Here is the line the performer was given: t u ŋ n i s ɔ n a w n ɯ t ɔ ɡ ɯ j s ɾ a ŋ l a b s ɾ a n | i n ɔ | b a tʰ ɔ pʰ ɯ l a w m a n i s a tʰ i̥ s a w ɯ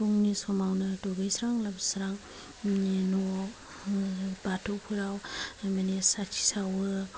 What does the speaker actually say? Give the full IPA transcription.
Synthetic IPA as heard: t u ŋ n i s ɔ m a w n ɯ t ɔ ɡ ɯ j s ɾ a ŋ l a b s ɾ a ŋ | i n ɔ | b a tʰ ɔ pʰ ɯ ɾ a w m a n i s a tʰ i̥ s a w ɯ